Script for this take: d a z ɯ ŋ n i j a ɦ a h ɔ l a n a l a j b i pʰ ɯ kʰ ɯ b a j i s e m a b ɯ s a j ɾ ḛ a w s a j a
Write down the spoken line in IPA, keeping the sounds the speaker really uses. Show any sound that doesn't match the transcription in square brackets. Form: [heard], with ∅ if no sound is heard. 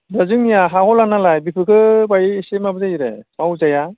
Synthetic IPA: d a z ɯ ŋ n i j a ɦ a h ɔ l a n a l a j b i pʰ ɯ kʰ ɯ b a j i s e m a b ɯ [z] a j ɾ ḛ a w [z] a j a